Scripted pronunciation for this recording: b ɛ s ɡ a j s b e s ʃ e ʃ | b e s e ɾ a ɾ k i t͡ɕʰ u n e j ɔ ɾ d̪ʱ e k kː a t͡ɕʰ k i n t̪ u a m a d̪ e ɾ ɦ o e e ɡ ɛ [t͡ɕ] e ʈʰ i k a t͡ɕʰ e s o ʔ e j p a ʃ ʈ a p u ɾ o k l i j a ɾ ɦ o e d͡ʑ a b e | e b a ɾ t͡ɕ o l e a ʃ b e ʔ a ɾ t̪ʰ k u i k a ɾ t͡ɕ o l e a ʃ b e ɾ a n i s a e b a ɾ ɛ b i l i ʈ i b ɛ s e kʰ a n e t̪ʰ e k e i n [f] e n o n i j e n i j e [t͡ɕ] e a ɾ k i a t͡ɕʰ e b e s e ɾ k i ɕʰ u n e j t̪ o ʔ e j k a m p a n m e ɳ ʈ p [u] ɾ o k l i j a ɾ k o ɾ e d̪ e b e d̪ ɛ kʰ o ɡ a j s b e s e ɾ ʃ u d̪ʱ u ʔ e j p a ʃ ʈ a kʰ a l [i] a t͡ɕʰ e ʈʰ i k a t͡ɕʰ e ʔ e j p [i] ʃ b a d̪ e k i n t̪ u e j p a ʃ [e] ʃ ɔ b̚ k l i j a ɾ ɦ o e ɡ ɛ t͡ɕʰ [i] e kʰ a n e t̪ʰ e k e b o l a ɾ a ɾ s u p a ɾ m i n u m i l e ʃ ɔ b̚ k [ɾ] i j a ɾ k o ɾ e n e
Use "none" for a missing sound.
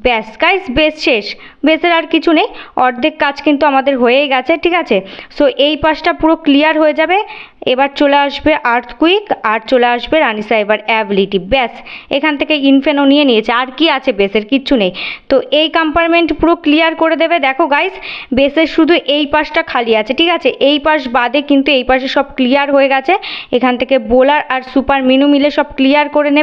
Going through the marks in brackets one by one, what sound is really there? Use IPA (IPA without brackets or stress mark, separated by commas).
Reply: t͡ɕʰ, f, t͡ɕʰ, u, i, a, e, e, l